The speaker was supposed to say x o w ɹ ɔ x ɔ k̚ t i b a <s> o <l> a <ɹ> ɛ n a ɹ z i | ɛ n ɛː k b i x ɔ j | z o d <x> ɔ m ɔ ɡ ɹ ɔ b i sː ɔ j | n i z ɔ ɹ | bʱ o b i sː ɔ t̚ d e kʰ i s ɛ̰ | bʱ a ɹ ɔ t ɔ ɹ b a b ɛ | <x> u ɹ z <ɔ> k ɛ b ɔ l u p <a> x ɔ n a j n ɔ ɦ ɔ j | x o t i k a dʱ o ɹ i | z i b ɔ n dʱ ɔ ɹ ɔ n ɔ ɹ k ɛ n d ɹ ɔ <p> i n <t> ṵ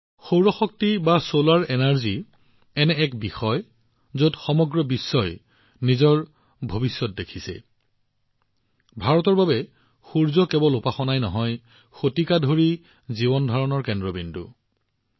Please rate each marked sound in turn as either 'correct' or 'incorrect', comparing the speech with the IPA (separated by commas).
correct, correct, correct, correct, correct, correct, correct, incorrect, incorrect